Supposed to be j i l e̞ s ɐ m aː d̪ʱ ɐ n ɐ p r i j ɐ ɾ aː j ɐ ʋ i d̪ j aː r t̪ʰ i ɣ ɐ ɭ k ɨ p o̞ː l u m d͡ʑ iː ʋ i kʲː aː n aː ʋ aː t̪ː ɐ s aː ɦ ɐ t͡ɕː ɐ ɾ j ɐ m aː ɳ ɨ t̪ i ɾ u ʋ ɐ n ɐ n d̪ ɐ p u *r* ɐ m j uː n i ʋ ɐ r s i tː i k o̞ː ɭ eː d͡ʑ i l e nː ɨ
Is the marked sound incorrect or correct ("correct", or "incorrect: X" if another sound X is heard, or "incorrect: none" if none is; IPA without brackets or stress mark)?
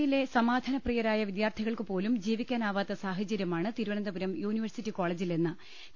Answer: incorrect: ɾ